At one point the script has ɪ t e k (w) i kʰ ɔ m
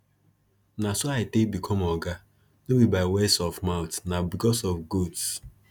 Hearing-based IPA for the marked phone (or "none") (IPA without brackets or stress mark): b